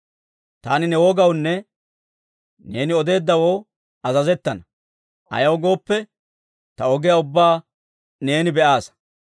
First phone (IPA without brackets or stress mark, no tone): t̪